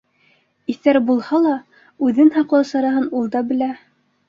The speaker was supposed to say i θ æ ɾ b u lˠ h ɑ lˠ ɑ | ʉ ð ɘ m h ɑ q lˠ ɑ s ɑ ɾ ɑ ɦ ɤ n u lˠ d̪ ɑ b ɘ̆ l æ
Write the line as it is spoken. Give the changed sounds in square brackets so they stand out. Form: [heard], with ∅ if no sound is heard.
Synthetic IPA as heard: i θ æ ɾ b u lˠ h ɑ lˠ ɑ | ʉ ð ɘ [n] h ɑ q lˠ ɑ s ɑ ɾ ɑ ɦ ɤ n u lˠ d̪ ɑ b ɘ̆ l æ